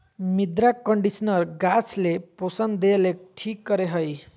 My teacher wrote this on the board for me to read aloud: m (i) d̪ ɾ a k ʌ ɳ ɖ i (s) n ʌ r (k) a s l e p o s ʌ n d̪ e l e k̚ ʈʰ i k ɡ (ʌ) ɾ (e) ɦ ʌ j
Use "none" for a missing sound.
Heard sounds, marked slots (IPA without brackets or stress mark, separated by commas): i, s, ɡ, ʌ, e